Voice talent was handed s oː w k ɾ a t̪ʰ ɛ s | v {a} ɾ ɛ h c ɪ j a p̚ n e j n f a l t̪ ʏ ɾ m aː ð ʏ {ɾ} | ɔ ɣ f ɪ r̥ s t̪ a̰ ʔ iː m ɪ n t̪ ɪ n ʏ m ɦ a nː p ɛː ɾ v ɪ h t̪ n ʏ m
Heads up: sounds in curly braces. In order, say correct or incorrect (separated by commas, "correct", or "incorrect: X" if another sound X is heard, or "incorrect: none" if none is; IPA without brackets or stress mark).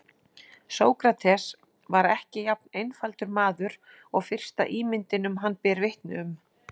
correct, correct